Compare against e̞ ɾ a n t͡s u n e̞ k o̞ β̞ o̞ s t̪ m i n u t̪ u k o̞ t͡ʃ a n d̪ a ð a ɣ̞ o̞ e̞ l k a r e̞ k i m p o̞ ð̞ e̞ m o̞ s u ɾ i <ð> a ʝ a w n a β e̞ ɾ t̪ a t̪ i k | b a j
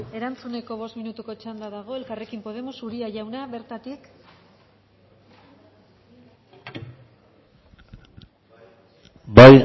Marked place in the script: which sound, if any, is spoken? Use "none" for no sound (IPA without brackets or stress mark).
none